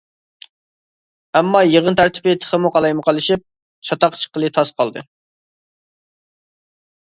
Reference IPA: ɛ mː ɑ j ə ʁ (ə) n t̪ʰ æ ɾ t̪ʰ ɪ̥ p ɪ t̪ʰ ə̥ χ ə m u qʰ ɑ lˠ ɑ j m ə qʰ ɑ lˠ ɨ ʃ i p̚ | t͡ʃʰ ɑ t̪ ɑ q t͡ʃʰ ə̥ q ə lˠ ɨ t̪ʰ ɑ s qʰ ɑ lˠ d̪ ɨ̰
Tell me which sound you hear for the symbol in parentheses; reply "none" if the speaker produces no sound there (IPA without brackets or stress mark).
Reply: ə